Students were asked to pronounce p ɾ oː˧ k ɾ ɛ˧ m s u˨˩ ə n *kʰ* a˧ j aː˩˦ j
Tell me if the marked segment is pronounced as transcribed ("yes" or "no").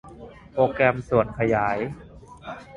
yes